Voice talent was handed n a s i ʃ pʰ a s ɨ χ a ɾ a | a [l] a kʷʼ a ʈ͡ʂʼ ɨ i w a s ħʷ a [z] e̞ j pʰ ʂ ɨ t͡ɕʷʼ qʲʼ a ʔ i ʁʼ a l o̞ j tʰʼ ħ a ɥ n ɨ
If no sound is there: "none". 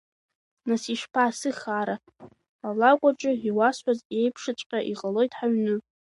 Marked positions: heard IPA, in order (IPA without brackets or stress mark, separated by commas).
l, z